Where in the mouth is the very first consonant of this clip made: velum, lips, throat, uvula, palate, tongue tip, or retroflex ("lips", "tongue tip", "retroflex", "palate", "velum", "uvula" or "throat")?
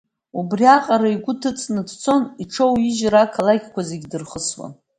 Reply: lips